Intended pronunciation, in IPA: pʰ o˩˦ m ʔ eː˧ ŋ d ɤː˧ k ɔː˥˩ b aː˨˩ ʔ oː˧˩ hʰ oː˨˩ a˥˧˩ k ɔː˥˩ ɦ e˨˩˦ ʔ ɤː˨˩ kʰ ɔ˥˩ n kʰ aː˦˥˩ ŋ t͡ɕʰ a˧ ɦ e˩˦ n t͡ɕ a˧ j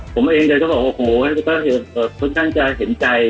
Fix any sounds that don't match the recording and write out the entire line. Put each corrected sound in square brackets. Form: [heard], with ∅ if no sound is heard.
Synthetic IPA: pʰ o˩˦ m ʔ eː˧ ŋ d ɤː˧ k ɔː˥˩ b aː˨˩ ʔ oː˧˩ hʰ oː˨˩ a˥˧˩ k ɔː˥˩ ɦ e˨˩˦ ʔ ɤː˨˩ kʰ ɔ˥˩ n kʰ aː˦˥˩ ŋ [t͡ɕ] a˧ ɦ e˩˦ n t͡ɕ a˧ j